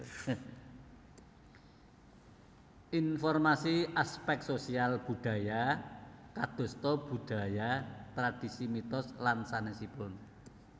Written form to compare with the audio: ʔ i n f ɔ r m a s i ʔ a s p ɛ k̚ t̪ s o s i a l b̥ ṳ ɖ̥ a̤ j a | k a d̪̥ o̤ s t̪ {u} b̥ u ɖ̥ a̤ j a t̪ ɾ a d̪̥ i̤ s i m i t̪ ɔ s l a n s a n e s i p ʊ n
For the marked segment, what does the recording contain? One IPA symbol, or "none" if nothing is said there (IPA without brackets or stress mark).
ɔ